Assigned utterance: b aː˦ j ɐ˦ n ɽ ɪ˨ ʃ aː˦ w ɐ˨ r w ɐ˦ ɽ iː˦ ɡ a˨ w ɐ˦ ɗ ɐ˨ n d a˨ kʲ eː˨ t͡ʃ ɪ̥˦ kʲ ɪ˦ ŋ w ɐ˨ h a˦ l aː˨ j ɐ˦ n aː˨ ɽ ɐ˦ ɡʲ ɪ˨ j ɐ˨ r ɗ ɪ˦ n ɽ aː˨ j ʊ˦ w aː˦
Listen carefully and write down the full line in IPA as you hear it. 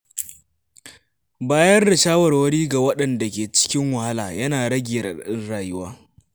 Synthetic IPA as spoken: b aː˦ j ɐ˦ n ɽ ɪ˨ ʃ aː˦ w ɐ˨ r w ɐ˦ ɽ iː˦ ɡ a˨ w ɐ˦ ɗ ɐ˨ n d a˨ kʲ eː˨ t͡ʃ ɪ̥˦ kʲ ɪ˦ ŋ w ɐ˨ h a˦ l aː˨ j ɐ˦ n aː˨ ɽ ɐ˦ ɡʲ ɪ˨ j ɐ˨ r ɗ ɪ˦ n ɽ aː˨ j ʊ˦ w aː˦